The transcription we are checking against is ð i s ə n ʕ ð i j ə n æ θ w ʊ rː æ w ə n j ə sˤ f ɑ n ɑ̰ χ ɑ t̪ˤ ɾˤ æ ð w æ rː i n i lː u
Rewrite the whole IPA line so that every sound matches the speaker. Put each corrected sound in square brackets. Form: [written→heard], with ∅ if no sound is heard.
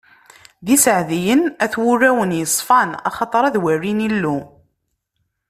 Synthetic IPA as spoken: ð i s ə [n→∅] ʕ ð i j ə n æ θ w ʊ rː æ w ə n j ə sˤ f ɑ n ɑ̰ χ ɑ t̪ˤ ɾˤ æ ð w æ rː i n i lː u